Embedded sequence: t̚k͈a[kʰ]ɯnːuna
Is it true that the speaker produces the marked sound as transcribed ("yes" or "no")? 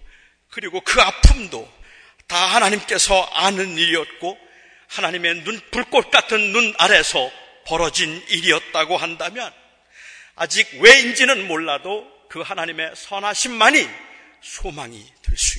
no